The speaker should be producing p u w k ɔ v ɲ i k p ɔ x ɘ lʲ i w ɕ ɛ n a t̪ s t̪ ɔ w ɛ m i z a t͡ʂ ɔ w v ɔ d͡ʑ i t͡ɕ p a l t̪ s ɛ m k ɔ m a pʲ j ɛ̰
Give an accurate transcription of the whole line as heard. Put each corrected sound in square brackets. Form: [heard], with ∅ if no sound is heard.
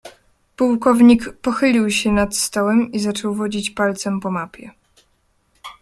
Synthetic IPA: p u w k ɔ v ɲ i k p ɔ x ɘ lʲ i w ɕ ɛ n a t̪ s t̪ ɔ w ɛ m i z a t͡ʂ ɔ w v ɔ d͡ʑ i t͡ɕ p a l t̪ s ɛ m [p] ɔ m a pʲ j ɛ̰